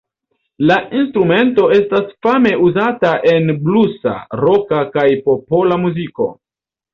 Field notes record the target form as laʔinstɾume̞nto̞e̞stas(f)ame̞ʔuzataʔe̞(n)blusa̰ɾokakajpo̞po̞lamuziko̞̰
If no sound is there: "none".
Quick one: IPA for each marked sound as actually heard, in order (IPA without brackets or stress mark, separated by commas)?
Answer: f, n